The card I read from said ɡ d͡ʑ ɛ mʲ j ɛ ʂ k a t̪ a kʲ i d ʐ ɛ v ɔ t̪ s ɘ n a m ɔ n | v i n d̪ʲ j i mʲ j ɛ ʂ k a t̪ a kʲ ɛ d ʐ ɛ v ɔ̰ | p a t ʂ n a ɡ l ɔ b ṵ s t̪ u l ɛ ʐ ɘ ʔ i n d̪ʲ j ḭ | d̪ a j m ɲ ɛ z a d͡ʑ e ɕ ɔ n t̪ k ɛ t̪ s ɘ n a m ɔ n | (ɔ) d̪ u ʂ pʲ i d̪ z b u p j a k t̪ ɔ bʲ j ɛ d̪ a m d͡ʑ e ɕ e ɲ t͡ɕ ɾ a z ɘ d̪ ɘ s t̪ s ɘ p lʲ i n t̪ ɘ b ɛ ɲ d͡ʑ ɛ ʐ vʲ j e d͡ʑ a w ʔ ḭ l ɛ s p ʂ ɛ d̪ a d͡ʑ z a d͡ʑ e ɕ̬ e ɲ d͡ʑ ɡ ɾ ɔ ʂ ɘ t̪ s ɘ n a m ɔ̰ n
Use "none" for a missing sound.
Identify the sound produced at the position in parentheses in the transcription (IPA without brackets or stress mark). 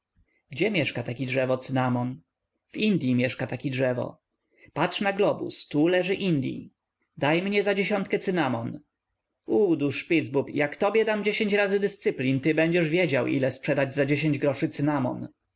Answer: u